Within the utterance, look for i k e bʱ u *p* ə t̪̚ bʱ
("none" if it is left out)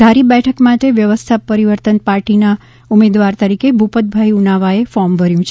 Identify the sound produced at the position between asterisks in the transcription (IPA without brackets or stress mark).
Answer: p